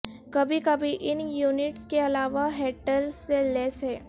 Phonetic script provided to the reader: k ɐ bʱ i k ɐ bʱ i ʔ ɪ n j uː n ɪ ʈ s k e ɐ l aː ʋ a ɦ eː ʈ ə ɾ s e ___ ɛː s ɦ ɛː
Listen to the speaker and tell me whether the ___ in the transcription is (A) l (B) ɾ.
A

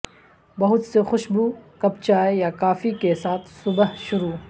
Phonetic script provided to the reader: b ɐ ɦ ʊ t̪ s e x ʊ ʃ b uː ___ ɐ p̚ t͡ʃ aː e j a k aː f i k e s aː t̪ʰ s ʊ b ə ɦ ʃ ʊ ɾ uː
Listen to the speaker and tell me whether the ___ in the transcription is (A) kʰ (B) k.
B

